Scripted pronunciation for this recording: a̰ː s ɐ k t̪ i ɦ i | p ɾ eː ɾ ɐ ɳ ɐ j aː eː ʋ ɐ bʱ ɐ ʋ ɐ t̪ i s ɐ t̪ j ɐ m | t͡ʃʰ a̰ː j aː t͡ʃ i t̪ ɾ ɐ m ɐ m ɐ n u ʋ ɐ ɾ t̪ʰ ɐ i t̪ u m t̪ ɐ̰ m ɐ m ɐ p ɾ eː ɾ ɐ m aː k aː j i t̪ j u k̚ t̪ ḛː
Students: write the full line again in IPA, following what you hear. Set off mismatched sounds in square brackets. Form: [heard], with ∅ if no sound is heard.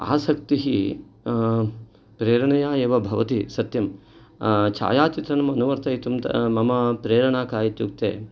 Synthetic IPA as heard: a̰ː s ɐ k t̪ i ɦ i | p ɾ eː ɾ ɐ ɳ ɐ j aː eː ʋ ɐ bʱ ɐ ʋ ɐ t̪ i s ɐ t̪ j ɐ m | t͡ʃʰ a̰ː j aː t͡ʃ i t̪ ɾ ɐ [n] ɐ m ɐ n u ʋ ɐ ɾ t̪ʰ ɐ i t̪ u m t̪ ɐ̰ m ɐ m ɐ p ɾ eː ɾ ɐ [ɳ] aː k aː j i t̪ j u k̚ t̪ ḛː